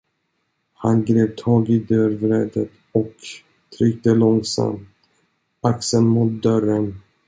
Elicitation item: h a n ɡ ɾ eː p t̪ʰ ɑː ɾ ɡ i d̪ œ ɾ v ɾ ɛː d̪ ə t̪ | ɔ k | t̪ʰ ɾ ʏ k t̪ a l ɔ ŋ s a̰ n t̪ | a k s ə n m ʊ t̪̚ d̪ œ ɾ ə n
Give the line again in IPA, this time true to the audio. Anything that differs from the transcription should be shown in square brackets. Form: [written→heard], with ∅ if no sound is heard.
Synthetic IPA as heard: h a n ɡ ɾ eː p t̪ʰ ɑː [ɾ→∅] ɡ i d̪ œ ɾ v ɾ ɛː d̪ ə t̪ | ɔ k | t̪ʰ ɾ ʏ k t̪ [a→ə] l ɔ ŋ s a̰ [n→m] t̪ | a k s ə n m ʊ t̪̚ d̪ œ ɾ ə n

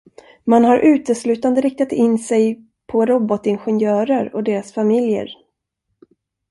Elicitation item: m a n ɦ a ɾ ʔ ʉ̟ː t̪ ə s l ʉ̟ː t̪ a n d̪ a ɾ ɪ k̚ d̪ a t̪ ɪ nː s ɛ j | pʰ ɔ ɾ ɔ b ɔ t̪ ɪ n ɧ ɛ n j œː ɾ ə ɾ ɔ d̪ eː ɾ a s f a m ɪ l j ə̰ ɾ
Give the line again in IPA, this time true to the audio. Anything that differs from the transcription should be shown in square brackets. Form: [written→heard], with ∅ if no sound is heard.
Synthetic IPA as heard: m a n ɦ a ɾ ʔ ʉ̟ː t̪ ə s l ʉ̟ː t̪ a n d̪ [a→ə] ɾ ɪ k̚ [d̪→t̪] a t̪ ɪ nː s ɛ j | pʰ ɔ ɾ ɔ b ɔ t̪ ɪ n ɧ ɛ n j œː ɾ ə ɾ ɔ d̪ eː ɾ a s f a m ɪ l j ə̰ ɾ

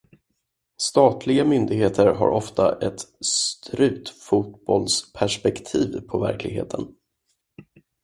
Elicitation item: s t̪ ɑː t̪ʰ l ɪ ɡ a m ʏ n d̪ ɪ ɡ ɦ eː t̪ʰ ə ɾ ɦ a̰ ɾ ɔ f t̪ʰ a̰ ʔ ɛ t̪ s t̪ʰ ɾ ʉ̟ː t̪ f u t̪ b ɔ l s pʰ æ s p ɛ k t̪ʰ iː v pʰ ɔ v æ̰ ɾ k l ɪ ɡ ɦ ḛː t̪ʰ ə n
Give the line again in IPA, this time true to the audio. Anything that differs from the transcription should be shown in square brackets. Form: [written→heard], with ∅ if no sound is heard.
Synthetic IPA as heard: s t̪ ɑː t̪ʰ l ɪ ɡ a m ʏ n d̪ ɪ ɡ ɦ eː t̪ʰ ə ɾ ɦ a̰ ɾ ɔ f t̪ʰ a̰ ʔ ɛ t̪ s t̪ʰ ɾ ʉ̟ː t̪ f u t̪ b ɔ l s pʰ æ [s→ʂ] p ɛ k t̪ʰ iː v pʰ ɔ v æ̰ ɾ k l ɪ ɡ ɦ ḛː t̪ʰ ə n

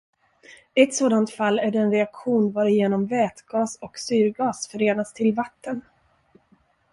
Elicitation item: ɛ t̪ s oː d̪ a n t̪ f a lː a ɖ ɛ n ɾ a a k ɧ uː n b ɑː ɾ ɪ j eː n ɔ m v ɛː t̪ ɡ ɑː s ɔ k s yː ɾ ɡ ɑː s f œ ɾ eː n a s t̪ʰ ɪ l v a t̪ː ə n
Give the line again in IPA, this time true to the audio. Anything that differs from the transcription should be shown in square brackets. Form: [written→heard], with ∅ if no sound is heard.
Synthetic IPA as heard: ɛ t̪ s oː d̪ a n t̪ f a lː [a→æ] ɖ ɛ n ɾ [a→ɛ] a k ɧ uː n [b→v] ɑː ɾ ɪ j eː n ɔ m v ɛː t̪ ɡ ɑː s ɔ k s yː ɾ ɡ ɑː s f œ ɾ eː n a s t̪ʰ ɪ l v a t̪ː ə n

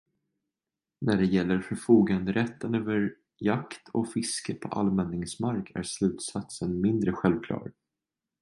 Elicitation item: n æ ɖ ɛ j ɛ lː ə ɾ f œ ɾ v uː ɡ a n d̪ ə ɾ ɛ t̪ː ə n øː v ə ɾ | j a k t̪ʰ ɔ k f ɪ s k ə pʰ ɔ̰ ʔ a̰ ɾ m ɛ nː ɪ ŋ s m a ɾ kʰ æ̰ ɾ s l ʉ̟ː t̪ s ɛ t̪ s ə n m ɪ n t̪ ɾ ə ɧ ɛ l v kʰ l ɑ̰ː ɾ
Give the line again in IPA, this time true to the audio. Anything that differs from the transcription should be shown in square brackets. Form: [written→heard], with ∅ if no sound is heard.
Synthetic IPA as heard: n æ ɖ ɛ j ɛ lː ə ɾ f œ ɾ [v→f] uː ɡ a n d̪ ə ɾ ɛ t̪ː ə n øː v ə ɾ | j a k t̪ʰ ɔ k f ɪ s k ə pʰ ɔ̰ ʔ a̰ [ɾ→l] m ɛ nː ɪ ŋ s m a ɾ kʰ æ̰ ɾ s l ʉ̟ː t̪ s [ɛ→a] t̪ s ə n m ɪ n [t̪→d̪] ɾ ə ɧ ɛ l v kʰ l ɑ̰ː ɾ

